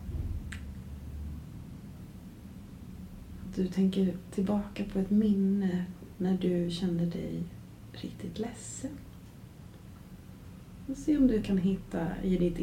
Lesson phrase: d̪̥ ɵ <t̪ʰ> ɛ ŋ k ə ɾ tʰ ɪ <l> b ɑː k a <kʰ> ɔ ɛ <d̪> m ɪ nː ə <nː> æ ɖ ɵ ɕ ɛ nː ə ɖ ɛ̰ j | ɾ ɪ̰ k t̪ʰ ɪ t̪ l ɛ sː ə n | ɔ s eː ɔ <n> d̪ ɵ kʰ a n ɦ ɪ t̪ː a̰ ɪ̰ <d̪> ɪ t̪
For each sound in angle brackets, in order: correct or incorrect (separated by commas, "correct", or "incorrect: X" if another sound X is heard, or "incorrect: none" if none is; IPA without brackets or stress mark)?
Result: correct, correct, incorrect: pʰ, incorrect: t̪, incorrect: n, incorrect: m, correct